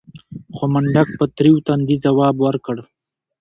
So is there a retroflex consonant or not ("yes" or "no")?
yes